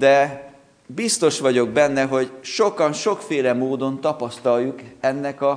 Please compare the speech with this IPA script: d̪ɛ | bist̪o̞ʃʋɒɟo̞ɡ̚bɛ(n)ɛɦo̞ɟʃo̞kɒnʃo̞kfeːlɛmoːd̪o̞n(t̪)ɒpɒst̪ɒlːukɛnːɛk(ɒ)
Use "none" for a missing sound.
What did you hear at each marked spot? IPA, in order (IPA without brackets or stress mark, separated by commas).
nː, t̪, ɒ